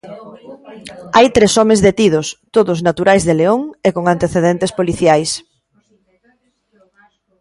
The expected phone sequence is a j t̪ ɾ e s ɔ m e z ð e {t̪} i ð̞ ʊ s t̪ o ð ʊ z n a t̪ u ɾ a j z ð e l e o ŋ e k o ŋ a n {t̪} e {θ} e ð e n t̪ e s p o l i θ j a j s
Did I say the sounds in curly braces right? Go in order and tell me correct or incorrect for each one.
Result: correct, correct, correct

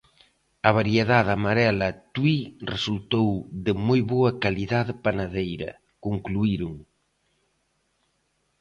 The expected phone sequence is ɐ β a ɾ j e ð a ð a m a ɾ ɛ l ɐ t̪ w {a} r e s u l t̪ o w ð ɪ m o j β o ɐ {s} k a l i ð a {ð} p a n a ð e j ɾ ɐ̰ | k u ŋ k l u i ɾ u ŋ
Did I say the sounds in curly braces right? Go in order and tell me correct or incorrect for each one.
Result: incorrect: i, incorrect: none, correct

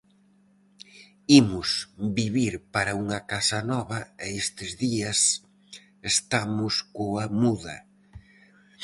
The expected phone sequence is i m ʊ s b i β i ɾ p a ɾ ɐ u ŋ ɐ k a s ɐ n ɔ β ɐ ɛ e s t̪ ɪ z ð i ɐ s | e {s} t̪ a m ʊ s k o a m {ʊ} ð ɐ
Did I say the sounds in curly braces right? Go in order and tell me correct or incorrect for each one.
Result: correct, incorrect: u

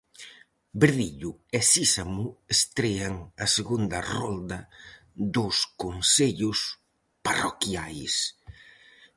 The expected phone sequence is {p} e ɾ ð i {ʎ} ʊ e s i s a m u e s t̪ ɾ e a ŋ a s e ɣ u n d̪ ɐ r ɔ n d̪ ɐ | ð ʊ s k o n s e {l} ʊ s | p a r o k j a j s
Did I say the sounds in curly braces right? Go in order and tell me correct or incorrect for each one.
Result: incorrect: b, correct, incorrect: ʎ

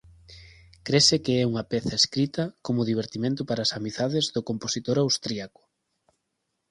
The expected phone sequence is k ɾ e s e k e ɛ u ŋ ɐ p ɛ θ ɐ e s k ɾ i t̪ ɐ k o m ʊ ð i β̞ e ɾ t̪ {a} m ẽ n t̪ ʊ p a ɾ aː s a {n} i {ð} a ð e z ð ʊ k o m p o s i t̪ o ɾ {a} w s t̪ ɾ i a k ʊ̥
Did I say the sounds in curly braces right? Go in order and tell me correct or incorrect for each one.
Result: incorrect: i, incorrect: m, incorrect: θ, correct

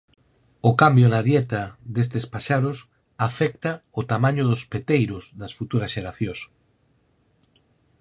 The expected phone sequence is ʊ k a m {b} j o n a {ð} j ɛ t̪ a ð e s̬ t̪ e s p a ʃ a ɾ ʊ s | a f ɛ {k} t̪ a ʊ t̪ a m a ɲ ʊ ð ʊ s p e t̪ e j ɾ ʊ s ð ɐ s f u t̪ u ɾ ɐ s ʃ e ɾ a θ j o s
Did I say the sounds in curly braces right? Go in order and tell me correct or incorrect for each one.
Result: correct, correct, correct

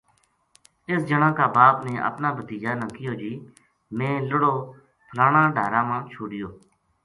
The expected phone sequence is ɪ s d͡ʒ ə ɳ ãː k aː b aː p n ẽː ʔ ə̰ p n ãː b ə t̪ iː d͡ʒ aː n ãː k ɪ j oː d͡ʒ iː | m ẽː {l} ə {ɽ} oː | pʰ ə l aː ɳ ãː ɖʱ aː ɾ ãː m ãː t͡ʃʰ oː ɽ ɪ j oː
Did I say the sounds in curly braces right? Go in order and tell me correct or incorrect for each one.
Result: correct, correct

